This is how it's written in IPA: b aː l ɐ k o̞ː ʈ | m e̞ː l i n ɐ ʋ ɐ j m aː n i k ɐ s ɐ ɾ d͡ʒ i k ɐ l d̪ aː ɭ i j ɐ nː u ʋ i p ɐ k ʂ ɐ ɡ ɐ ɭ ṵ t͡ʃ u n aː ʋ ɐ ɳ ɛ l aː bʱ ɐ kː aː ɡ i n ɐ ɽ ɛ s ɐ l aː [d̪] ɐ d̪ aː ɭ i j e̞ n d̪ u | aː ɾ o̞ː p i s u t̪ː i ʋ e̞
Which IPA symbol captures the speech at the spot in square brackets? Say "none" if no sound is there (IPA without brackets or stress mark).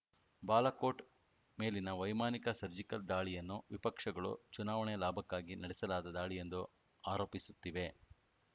d̪